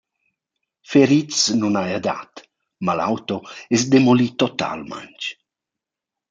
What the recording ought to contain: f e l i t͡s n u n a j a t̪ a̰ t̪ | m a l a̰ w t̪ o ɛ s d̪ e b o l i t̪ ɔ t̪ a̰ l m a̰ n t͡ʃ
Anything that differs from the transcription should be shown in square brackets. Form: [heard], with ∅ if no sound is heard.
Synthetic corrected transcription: f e [ɾ] i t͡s n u n a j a [d̪] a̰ t̪ | m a l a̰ w t̪ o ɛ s d̪ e [m] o l i t̪ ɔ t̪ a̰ l m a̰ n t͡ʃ